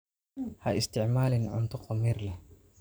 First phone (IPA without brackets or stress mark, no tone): h